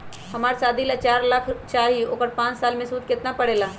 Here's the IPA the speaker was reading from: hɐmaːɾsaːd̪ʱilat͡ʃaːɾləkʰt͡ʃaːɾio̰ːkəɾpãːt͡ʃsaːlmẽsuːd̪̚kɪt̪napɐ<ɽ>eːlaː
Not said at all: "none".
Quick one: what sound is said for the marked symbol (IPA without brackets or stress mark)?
ɽ